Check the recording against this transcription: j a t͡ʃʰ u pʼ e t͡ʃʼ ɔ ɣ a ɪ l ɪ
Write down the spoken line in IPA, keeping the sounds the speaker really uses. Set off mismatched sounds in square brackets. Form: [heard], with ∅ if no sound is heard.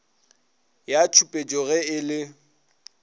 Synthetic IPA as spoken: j a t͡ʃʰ u pʼ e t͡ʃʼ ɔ ɣ [ɛ] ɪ l ɪ

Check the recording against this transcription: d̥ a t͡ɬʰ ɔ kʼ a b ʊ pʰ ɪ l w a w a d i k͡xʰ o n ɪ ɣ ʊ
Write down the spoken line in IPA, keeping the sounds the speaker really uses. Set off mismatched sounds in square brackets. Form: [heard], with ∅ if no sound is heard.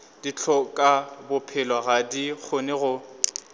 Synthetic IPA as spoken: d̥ [i] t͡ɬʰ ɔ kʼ a b ʊ pʰ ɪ l w a [ɣ] a d i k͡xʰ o n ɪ ɣ ʊ

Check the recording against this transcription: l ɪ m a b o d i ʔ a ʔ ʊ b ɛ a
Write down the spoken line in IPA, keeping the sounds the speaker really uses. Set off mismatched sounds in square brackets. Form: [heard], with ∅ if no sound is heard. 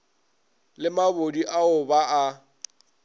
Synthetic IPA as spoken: l ɪ m a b o d i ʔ a [∅] ʊ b [a] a

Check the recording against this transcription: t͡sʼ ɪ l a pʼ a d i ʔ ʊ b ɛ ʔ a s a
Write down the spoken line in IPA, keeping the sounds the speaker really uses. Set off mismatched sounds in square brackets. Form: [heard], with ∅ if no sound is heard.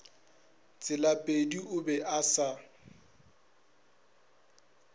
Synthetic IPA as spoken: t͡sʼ ɪ l a pʼ [e] d i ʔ ʊ b ɛ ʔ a s a

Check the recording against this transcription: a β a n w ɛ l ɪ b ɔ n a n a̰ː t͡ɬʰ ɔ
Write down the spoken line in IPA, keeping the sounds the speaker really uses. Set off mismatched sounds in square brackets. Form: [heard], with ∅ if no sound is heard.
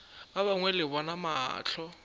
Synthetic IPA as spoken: a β a [ŋ] w ɛ l ɪ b ɔ n a [m] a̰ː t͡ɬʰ ɔ

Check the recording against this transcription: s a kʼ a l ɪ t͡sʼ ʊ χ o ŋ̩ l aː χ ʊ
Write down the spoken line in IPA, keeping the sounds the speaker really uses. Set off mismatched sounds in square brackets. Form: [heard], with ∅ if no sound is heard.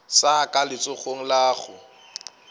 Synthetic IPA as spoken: s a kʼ a l ɪ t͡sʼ ʊ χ o ŋ̩ l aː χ ʊ

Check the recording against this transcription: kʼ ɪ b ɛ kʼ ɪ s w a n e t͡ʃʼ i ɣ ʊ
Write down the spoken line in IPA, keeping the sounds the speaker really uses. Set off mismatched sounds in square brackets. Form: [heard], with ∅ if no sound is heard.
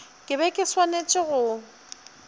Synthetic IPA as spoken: kʼ ɪ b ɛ kʼ ɪ s w a n e t͡ʃʼ [ɪ] ɣ ʊ

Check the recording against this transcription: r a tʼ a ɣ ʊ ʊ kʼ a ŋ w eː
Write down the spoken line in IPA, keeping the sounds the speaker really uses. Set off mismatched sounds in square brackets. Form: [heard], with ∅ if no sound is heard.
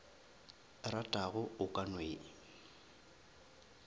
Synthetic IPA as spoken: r a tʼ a ɣ ʊ ʊ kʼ a [n] w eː

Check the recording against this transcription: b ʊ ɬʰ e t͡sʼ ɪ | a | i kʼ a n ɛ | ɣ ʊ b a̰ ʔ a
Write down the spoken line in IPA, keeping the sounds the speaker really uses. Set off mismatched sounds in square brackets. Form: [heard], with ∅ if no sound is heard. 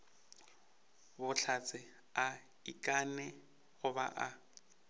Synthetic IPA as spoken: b ʊ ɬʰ [a] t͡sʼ ɪ | a | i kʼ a n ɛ | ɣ ʊ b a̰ ʔ a

